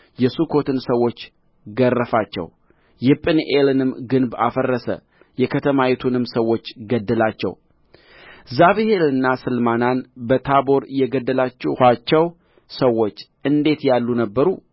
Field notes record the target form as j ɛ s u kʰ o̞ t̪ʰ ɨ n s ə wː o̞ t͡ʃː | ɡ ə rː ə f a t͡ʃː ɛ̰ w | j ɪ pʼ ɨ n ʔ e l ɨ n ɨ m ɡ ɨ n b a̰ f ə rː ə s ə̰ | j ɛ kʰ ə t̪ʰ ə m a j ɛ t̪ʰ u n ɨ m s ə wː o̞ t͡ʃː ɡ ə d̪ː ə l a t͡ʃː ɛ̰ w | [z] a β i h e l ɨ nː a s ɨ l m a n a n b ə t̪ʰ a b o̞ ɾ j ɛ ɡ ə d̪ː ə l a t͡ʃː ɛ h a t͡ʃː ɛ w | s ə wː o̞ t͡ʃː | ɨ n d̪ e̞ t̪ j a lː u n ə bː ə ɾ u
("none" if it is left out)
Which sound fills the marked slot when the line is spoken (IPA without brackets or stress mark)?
z